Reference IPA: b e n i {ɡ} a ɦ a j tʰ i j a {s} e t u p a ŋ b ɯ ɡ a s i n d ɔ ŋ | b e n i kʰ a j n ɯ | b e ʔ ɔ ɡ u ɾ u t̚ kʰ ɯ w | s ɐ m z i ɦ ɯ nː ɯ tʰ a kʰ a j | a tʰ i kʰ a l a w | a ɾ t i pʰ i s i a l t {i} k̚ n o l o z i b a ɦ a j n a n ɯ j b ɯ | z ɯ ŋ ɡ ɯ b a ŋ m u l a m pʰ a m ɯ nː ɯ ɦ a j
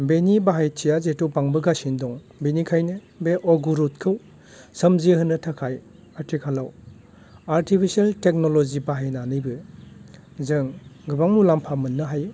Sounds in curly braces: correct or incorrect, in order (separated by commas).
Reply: incorrect, incorrect, incorrect